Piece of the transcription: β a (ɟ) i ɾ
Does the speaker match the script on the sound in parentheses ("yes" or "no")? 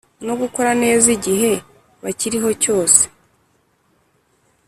no